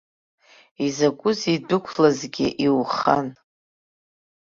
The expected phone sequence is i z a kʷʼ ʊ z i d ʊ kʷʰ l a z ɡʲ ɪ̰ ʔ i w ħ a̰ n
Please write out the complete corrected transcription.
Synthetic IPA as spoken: i z a kʷʼ ʊ z i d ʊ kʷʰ l a z ɡʲ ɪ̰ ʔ i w χ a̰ n